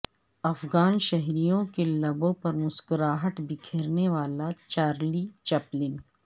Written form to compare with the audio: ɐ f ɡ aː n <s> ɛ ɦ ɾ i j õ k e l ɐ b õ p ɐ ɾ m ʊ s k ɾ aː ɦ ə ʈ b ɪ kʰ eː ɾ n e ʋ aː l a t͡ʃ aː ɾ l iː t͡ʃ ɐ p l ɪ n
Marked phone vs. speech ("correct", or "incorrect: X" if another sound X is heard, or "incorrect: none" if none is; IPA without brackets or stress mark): incorrect: ʃ